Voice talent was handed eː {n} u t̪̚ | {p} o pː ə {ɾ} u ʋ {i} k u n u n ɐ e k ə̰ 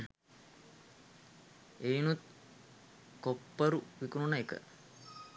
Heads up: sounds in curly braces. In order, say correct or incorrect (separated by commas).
correct, incorrect, correct, correct